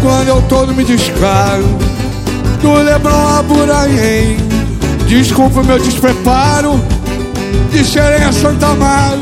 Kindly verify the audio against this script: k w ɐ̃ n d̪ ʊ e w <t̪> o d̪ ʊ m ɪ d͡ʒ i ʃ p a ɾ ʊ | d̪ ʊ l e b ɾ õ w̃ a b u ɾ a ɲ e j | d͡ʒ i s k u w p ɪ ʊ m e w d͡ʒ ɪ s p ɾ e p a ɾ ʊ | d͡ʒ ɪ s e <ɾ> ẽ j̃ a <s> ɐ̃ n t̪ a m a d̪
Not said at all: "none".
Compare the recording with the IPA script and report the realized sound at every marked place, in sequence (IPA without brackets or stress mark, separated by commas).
t̪, ɾ, s